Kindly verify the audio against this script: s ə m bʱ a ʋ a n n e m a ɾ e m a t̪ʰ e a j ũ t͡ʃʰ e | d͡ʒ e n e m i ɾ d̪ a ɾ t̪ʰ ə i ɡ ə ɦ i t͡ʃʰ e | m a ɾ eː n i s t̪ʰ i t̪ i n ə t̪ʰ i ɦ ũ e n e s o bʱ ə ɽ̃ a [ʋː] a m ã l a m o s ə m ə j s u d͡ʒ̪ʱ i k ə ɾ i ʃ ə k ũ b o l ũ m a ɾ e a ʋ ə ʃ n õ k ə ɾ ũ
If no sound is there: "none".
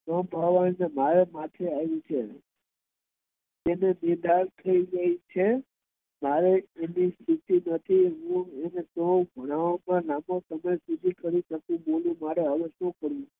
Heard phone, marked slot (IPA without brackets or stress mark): ʋ